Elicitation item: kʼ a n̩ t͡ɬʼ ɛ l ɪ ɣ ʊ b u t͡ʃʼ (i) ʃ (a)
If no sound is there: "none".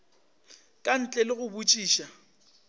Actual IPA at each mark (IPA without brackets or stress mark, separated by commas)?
iː, a